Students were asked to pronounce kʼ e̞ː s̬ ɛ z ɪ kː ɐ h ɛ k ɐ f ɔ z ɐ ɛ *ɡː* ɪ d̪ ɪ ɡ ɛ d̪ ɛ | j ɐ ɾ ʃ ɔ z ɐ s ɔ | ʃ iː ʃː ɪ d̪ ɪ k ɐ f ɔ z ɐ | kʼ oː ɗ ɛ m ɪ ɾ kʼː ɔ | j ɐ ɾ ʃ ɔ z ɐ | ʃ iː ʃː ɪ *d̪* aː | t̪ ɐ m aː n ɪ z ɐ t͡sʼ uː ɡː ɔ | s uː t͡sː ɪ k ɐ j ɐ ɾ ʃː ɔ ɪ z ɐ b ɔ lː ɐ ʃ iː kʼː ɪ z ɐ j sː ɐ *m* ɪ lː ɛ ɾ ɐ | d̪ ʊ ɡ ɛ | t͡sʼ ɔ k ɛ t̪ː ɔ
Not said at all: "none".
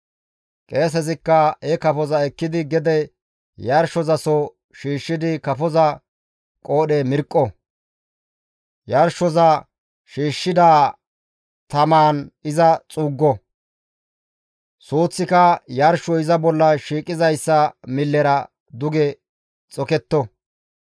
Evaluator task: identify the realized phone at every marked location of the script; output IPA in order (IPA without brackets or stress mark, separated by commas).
kː, d̪, m